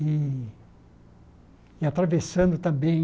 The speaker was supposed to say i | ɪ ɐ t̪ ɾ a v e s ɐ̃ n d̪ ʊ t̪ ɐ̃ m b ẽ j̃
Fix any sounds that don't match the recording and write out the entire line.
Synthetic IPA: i | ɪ a t̪ ɾ a v e s ɐ̃ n d̪ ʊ t̪ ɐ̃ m b ẽ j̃